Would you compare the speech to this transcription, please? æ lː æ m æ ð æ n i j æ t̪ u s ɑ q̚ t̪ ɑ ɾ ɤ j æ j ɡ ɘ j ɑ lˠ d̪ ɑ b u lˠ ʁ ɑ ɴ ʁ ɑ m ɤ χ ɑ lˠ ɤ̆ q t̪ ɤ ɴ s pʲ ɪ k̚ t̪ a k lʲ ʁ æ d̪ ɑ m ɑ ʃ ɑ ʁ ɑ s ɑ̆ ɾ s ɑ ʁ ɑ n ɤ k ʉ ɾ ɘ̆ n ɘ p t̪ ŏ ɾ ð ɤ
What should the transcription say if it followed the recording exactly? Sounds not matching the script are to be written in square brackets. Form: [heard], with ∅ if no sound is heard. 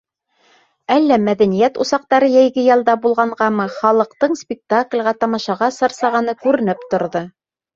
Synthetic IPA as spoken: æ lː æ m æ ð æ n i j æ t̪ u s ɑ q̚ t̪ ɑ ɾ ɤ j æ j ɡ ɘ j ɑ lˠ d̪ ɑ b u lˠ ʁ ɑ ɴ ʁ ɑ m ɤ χ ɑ lˠ ɤ̆ q t̪ ɤ ɴ s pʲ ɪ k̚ t̪ a k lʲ ʁ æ [t̪] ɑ m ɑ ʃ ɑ ʁ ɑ s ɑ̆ ɾ s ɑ ʁ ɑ n ɤ k ʉ ɾ ɘ̆ n ɘ p t̪ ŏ ɾ ð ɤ